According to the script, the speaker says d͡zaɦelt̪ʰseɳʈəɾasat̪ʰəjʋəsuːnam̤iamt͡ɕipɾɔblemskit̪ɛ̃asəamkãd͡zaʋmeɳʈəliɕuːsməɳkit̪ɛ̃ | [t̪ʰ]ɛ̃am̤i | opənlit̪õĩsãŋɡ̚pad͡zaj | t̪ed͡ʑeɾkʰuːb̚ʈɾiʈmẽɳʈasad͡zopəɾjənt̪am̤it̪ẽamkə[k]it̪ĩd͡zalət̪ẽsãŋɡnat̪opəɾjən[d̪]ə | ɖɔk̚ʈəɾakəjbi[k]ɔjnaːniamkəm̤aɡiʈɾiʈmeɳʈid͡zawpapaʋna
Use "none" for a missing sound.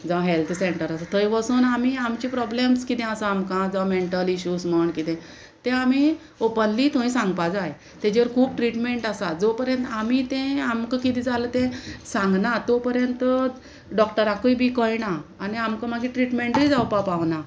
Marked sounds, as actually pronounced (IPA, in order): t̪, k, t̪, k

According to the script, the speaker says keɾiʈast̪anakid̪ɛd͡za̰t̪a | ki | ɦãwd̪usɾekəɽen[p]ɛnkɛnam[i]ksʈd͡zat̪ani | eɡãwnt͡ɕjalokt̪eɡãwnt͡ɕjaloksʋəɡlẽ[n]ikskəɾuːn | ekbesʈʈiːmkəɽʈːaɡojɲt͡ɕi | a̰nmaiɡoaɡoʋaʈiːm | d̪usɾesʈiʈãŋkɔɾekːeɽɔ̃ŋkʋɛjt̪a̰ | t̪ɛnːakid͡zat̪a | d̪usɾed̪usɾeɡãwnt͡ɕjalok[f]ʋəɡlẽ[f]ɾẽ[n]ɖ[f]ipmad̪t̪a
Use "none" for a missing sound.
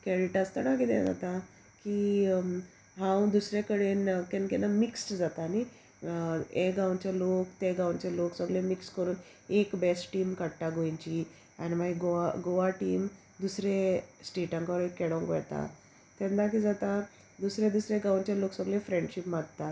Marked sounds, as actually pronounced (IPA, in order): k, i, m, s, f, ɳ, ɕ

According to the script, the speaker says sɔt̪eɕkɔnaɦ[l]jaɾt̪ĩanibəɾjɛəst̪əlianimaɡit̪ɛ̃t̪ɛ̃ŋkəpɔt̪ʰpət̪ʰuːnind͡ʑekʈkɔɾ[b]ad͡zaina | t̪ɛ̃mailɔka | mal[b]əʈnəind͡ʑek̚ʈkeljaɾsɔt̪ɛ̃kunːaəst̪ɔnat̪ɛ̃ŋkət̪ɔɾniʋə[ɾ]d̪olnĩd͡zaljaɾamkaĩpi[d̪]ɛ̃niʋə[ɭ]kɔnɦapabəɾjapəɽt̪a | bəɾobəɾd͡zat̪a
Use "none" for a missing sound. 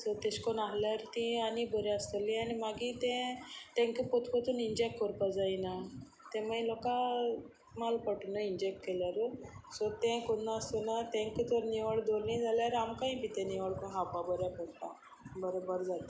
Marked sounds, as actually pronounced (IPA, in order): l, p, p, ɭ, t̪, ɭ

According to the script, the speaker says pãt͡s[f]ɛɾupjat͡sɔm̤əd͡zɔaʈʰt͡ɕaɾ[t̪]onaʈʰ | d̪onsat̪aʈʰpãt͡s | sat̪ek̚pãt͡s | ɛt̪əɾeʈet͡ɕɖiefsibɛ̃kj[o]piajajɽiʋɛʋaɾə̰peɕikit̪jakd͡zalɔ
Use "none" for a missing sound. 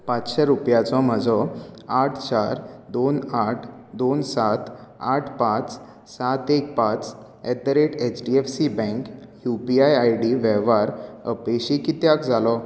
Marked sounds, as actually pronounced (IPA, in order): ɕ, d̪, u

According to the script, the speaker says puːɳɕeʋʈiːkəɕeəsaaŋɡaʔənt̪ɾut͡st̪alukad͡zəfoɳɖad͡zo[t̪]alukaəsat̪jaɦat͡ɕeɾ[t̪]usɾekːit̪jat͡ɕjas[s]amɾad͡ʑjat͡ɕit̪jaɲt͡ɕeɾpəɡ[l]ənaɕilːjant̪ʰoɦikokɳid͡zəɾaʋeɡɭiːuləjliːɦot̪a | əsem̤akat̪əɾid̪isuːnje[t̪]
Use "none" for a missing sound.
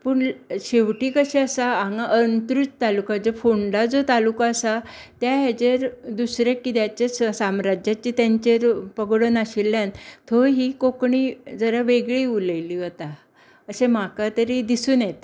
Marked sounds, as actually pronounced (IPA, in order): t̪, d̪, s, ɽ, t̪

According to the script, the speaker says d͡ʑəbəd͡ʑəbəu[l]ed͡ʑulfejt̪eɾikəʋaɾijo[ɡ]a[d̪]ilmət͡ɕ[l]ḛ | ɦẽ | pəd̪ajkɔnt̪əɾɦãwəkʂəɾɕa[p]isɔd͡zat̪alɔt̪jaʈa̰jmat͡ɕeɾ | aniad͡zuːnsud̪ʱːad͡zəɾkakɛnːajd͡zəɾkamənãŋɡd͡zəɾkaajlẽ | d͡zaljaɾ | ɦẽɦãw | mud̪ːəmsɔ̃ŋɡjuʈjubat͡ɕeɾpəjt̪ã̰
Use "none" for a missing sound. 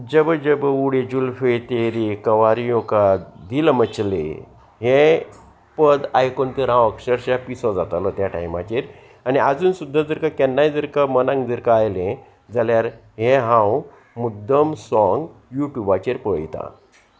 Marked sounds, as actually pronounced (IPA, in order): ɽ, k, d̪, l, p

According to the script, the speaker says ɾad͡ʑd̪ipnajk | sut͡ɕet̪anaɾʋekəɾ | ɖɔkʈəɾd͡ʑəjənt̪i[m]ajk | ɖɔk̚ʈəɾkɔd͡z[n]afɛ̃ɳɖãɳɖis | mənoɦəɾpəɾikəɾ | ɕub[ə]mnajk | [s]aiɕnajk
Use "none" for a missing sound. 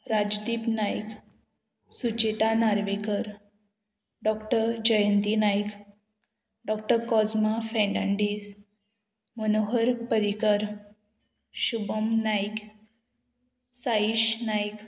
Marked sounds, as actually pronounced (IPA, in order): n, m, ə, s

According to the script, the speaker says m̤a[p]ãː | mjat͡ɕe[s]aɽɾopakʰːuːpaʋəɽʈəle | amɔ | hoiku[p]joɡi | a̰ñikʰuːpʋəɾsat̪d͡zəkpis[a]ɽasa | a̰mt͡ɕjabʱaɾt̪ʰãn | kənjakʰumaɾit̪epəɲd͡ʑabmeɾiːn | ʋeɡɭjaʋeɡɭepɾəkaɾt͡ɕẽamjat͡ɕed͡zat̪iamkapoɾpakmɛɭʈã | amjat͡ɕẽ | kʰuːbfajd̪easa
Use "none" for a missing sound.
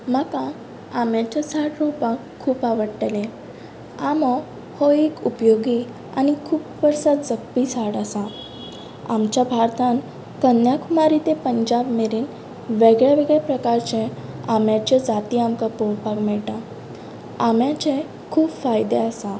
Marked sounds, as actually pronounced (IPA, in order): k, s, p, a

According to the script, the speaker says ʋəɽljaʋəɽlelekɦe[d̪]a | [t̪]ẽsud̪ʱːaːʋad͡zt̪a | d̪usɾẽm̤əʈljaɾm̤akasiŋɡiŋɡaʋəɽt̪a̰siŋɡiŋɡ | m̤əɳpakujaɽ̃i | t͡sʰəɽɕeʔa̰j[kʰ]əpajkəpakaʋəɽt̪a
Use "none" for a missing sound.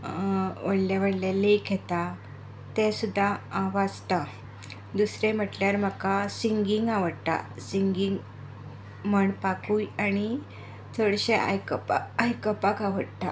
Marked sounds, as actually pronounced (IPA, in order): t̪, t̪, k

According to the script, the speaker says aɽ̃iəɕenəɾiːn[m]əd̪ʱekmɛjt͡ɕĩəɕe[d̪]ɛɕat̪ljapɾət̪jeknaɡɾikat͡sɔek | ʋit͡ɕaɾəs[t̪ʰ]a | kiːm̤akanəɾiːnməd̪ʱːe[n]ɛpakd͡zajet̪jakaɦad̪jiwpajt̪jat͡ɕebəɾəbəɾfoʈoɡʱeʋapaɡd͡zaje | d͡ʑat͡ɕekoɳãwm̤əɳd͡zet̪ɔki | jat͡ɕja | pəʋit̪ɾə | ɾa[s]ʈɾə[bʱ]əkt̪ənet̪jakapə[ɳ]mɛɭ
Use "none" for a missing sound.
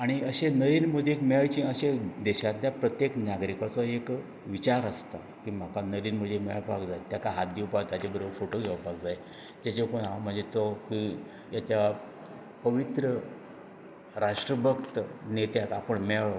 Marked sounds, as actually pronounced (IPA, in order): m, d̪, t̪, m, ʂ, bʱ, ɳ

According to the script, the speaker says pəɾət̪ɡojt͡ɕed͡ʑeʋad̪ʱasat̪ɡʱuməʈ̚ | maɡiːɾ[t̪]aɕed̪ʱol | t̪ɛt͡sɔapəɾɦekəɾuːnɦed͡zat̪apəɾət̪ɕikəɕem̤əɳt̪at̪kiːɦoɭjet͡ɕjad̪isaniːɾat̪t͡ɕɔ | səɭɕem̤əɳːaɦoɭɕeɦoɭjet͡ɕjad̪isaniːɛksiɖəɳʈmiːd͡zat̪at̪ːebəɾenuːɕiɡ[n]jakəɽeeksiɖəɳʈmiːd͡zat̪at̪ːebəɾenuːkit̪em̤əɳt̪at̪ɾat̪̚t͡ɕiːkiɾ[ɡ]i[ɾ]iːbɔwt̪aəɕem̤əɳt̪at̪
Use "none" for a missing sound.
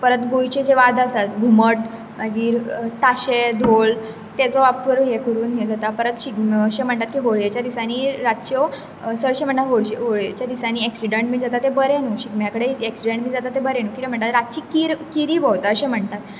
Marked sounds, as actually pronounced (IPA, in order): t̪, m, k, ɾ

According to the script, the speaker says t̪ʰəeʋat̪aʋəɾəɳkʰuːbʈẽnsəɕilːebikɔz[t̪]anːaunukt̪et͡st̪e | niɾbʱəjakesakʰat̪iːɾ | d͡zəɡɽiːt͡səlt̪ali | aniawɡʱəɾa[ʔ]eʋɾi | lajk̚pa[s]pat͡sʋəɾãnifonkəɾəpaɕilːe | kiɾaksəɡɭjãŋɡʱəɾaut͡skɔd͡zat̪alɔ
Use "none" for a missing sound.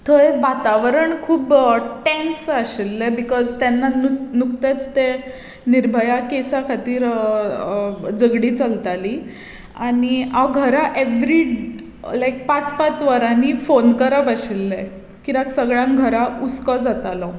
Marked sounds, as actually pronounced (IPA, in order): t̪, ʔ, t͡s

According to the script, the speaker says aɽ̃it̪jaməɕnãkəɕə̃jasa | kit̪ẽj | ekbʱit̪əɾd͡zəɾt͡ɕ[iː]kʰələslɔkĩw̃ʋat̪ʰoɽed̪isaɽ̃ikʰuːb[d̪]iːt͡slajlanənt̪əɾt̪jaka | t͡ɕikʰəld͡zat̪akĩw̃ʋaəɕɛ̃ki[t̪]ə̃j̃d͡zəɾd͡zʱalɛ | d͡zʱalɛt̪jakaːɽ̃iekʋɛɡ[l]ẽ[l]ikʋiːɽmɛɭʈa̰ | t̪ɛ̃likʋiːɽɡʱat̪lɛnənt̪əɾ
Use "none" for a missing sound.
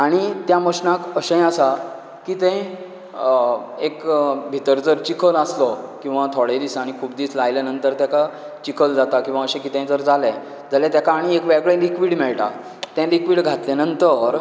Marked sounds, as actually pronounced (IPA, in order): i, d̪, t̪, ɭ, l

